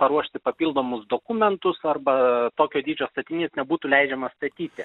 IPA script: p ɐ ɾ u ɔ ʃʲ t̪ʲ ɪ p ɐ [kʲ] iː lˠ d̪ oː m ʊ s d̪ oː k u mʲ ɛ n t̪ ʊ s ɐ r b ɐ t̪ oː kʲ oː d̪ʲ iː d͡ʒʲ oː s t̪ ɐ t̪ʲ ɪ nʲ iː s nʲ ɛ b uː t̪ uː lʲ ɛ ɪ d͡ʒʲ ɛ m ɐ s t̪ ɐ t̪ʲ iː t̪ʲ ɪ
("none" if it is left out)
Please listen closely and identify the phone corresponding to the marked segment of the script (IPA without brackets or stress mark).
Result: pʲ